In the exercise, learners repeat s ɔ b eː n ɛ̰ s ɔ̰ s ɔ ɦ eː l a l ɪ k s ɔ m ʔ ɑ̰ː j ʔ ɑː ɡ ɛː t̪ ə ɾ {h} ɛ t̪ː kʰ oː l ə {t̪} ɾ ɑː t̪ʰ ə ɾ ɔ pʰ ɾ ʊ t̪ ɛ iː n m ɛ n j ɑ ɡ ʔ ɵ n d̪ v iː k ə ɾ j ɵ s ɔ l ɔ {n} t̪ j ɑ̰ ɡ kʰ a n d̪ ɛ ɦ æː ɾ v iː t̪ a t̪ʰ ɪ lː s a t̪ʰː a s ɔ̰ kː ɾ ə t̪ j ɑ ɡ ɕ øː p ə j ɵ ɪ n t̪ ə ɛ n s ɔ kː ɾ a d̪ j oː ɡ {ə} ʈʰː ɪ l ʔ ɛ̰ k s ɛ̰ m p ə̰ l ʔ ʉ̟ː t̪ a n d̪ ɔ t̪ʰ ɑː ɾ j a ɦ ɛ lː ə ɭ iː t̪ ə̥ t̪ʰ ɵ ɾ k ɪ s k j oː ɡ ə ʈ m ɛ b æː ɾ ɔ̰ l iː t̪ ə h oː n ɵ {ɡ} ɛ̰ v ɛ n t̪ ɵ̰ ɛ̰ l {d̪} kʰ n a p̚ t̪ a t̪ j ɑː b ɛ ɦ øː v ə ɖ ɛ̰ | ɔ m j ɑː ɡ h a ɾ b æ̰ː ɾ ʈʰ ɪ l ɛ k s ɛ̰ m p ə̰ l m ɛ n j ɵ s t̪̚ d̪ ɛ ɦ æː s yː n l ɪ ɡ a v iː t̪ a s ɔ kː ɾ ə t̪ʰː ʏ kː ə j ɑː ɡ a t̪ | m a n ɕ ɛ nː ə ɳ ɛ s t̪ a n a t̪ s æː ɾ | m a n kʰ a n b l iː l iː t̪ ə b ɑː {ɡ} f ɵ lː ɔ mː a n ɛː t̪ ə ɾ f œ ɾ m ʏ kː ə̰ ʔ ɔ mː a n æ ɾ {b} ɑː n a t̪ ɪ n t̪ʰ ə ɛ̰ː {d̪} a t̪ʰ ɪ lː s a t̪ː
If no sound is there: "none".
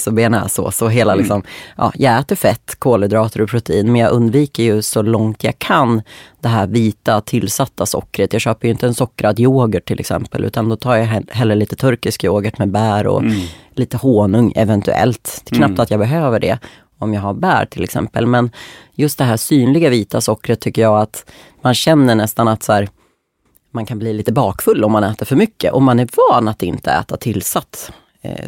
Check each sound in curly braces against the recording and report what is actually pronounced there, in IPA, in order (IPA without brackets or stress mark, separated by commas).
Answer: f, d̪, ŋ, ə, ŋ, t̪, k, v, t̪